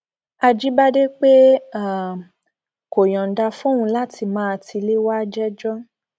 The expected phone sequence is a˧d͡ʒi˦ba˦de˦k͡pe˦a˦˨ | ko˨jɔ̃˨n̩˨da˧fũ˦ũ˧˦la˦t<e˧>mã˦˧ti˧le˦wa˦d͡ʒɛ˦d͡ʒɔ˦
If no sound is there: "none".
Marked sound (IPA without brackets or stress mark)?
i˧